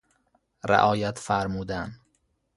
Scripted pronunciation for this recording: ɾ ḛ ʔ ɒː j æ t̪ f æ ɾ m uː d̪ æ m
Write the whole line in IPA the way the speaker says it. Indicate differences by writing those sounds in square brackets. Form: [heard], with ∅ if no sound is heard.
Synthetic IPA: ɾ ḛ ʔ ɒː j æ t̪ f æ ɾ m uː d̪ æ [n]